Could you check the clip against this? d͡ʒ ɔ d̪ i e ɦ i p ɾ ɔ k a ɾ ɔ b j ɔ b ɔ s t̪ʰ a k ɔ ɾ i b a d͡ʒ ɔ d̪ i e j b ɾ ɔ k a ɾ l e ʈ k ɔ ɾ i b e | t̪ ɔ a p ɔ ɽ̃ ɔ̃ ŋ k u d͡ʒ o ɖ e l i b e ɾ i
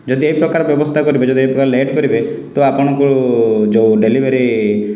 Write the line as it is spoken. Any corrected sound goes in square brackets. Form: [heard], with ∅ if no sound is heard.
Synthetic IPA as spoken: d͡ʒ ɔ d̪ i e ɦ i p ɾ ɔ k a ɾ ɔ b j ɔ b ɔ s t̪ʰ a k ɔ ɾ i b [e] d͡ʒ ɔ d̪ i e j [p] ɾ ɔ k a ɾ l e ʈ k ɔ ɾ i b e | t̪ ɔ a p ɔ ɽ̃ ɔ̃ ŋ k u d͡ʒ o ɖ e l i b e ɾ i